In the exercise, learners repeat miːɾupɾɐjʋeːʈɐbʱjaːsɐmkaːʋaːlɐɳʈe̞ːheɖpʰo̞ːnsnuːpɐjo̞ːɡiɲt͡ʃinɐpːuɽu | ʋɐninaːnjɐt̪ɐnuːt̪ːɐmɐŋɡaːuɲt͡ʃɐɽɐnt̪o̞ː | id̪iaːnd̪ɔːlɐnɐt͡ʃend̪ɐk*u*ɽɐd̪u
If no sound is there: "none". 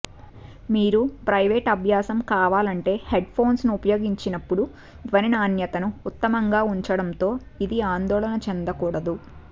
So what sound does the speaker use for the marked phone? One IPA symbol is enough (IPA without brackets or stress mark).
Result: uː